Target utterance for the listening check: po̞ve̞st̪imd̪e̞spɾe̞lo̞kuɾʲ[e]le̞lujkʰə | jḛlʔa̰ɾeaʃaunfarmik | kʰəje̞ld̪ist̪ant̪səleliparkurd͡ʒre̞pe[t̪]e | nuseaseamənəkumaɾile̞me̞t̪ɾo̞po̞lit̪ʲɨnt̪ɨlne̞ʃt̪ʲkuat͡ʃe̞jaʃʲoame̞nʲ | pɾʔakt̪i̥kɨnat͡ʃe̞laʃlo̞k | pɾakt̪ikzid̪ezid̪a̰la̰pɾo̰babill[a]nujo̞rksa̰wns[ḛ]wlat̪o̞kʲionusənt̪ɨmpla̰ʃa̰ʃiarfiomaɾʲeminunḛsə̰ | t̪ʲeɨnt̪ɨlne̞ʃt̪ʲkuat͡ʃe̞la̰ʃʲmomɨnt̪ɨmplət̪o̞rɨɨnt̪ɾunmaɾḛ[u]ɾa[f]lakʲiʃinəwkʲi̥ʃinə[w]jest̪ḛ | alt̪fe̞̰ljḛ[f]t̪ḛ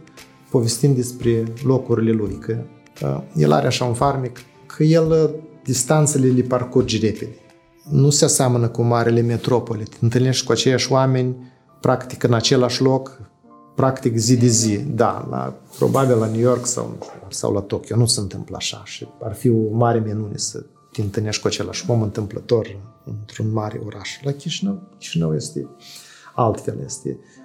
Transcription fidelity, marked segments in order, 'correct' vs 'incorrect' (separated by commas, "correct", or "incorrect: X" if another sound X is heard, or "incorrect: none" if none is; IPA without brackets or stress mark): incorrect: i, incorrect: d̪, correct, incorrect: a̰, incorrect: o, incorrect: ʃ, correct, incorrect: s